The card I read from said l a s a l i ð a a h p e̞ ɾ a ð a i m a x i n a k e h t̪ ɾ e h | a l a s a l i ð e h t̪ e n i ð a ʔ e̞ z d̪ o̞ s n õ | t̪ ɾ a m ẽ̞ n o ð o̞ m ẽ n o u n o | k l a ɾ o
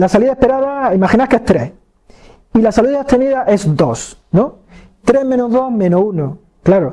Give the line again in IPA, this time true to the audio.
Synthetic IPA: l a s a l i ð a e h p e̞ ɾ a ð a i m a x i n a k e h t̪ ɾ e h | i l a s a l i ð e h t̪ e n i ð a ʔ e̞ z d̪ o̞ s n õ | t̪ ɾ e m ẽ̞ n o ð o̞ m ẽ n o u n o | k l a ɾ o